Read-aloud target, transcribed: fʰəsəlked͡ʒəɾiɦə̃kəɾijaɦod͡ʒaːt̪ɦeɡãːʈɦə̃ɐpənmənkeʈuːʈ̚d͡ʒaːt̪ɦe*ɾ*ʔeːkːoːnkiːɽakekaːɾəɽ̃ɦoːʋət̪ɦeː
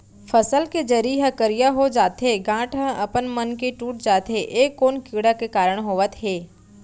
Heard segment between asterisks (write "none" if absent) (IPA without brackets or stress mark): none